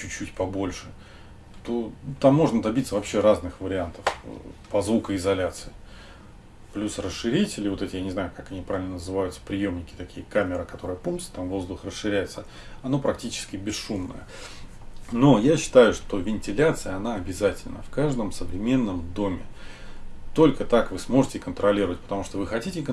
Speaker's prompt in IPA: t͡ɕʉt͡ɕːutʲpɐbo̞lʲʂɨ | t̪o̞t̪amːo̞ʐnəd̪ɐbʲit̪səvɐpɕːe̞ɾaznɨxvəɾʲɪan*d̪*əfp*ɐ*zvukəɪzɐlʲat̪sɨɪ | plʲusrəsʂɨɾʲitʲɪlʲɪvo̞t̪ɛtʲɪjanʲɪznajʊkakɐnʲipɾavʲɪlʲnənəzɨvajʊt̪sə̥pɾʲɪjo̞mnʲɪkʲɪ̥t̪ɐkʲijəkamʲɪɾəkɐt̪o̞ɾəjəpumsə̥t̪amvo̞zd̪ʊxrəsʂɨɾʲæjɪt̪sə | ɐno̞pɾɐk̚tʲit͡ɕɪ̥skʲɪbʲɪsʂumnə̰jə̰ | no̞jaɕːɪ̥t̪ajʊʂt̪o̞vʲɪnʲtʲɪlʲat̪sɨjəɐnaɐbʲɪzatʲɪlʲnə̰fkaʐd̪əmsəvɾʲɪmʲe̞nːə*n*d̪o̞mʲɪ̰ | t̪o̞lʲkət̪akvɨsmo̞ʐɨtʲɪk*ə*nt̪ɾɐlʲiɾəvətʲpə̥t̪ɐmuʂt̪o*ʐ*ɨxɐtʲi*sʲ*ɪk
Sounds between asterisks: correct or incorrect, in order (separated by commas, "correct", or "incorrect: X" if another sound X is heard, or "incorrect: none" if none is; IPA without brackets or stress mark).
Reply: incorrect: t̪, correct, incorrect: m, correct, incorrect: v, incorrect: tʲ